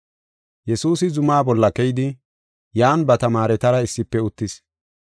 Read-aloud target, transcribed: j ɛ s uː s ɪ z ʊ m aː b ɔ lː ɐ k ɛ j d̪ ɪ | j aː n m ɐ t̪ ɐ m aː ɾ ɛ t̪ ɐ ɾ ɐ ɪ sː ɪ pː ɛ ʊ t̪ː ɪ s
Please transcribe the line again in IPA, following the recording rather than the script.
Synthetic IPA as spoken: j ɛ s uː s ɪ z ʊ m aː b ɔ lː ɐ k ɛ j d̪ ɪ | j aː n b ɐ t̪ ɐ m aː ɾ ɛ t̪ ɐ ɾ ɐ ɪ sː ɪ pː ɛ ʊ t̪ː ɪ s